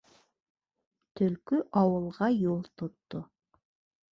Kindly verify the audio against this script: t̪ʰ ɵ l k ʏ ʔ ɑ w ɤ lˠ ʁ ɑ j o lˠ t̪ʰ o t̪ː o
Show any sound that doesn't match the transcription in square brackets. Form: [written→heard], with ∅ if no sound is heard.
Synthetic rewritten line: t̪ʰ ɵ l k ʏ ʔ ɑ w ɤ lˠ ʁ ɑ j o lˠ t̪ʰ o t̪ː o